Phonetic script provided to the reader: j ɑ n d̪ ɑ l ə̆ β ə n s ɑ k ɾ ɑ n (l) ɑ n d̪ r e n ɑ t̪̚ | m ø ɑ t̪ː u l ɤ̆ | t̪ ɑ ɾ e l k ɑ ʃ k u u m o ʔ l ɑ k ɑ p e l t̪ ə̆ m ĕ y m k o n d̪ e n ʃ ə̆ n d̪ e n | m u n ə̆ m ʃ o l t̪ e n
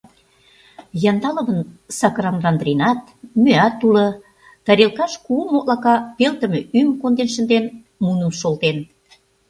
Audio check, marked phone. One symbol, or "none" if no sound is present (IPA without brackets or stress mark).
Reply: r